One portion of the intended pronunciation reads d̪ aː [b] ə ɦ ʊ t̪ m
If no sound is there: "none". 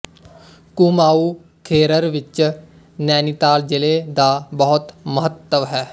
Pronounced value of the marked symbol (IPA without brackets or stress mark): b